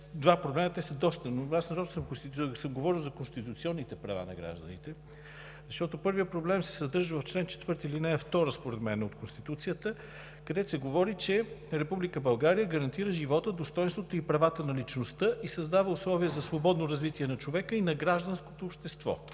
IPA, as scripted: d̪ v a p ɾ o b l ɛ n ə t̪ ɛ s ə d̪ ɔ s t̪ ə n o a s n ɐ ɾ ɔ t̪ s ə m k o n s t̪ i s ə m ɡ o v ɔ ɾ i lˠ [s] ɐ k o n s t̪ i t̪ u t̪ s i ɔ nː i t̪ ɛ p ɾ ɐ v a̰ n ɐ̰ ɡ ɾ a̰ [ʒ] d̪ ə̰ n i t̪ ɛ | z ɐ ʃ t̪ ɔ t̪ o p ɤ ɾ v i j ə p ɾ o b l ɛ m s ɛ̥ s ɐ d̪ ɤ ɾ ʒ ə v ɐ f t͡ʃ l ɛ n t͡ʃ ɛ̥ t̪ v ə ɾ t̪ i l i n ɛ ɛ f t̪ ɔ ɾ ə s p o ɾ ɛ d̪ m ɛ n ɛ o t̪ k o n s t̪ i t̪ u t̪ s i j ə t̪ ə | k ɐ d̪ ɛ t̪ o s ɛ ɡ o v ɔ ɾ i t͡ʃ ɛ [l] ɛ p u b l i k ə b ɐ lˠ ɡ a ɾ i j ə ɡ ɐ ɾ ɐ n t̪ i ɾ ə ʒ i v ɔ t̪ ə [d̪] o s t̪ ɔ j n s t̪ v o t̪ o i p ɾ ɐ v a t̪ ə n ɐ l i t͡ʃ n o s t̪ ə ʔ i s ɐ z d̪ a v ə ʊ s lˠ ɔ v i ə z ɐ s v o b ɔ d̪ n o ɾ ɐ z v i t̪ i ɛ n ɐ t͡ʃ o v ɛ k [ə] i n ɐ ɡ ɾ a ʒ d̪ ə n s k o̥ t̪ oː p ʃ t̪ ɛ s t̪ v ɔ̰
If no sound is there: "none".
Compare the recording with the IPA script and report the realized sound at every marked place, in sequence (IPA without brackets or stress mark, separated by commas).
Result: z, ʒ, ɾ, d̪, ə